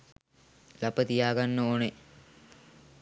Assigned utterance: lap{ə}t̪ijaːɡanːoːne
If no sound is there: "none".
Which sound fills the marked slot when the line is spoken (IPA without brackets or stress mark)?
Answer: ə